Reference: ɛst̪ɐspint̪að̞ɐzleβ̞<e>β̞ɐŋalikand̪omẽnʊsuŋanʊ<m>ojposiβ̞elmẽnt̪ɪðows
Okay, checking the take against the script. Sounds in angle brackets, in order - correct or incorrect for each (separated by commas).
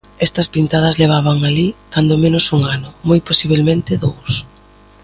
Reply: incorrect, correct